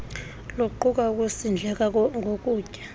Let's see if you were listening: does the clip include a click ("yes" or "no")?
yes